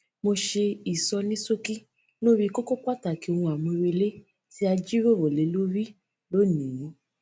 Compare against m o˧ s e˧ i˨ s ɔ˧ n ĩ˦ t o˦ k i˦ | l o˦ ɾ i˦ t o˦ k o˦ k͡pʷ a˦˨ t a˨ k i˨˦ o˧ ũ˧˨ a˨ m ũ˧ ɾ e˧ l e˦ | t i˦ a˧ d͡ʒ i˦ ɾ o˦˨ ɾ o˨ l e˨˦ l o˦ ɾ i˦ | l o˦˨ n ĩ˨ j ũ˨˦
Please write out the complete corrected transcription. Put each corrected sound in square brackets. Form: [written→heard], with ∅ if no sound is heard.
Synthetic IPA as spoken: m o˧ [s→ʃ] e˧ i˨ s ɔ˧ n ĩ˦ [t→s] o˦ k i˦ | l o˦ ɾ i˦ [t→k] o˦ k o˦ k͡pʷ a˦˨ t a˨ k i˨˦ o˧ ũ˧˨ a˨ m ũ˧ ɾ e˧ l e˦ | t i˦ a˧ d͡ʒ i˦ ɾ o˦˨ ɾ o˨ l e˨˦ l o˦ ɾ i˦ | l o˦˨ n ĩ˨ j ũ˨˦